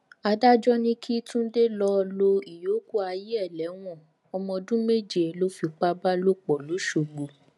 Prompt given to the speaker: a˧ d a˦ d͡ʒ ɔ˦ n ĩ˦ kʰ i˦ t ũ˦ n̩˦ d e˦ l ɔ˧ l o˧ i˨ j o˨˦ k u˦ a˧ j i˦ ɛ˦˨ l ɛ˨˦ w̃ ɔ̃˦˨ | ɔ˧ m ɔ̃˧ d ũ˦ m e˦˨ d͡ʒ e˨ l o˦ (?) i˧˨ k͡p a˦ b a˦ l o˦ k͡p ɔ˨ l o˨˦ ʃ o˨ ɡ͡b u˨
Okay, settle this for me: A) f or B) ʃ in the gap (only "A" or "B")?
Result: A